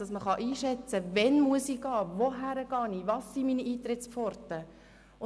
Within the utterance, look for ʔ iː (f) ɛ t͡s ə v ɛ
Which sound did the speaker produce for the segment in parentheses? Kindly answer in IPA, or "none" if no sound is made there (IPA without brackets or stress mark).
ʃ